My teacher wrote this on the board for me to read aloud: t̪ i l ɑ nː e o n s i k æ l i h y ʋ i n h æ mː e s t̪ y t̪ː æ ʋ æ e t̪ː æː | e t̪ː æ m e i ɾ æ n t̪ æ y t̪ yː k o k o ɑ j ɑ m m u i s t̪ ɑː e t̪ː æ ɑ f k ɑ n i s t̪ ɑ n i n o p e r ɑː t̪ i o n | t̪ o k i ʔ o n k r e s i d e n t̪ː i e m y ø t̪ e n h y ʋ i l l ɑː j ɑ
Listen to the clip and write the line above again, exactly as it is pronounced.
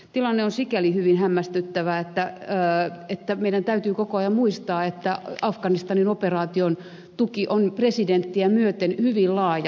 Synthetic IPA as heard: t̪ i l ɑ nː e o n s i k æ l i h y ʋ i n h æ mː æ s t̪ y t̪ː æ ʋ æ e t̪ː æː | e t̪ː æ m e i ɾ æ n t̪ æ y t̪ yː k o k o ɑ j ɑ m m u i s t̪ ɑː e t̪ː æ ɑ f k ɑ n i s t̪ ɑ n i n o p e r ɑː t̪ i o n | t̪ u k i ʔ o n p r e s i d e n t̪ː i æ m y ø t̪ e n h y ʋ i l l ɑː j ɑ